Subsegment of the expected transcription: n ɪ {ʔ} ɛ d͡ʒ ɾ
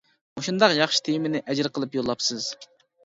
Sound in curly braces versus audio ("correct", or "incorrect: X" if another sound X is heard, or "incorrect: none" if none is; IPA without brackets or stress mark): correct